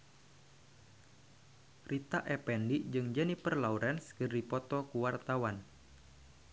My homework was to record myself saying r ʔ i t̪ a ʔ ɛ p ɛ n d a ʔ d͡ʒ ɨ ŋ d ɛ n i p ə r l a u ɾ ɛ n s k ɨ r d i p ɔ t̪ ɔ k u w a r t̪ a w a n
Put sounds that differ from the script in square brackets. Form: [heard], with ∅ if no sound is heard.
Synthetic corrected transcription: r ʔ i t̪ a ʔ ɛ p ɛ n d [i] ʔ d͡ʒ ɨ ŋ [d͡ʒ] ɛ n i p ə r l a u ɾ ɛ n s k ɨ r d i p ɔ t̪ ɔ k u w a r t̪ a w a n